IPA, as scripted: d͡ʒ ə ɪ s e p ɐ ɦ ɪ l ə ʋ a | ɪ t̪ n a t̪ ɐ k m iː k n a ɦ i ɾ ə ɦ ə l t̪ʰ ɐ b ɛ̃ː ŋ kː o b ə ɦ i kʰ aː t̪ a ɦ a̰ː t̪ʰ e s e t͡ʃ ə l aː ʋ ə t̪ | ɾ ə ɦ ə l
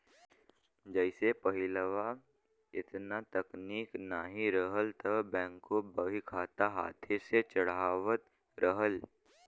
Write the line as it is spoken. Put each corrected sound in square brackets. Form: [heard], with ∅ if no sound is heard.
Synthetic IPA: d͡ʒ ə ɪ s e p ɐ ɦ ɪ l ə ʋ a | ɪ t̪ n a t̪ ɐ k [n] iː k n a ɦ i ɾ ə ɦ ə l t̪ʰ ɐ b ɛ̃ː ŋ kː o b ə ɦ i kʰ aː t̪ a ɦ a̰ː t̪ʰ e s e t͡ʃ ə [ɽ] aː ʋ ə t̪ | ɾ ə ɦ ə l